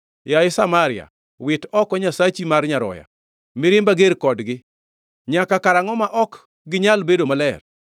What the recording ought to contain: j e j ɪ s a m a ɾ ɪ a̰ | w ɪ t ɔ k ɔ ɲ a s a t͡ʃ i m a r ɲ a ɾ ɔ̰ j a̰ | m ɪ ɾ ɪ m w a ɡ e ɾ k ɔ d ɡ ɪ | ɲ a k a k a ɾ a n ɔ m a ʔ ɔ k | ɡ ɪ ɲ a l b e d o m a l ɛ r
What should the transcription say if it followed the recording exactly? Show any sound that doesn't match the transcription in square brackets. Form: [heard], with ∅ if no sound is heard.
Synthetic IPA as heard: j [a] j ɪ s a m a ɾ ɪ a̰ | w ɪ t ɔ k ɔ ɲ a s a t͡ʃ i m a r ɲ a ɾ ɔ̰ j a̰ | m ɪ ɾ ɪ m [b] a ɡ e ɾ k ɔ d ɡ ɪ | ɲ a k a k a ɾ a [ŋ] ɔ m a ʔ ɔ k | ɡ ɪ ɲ a l b e d o m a l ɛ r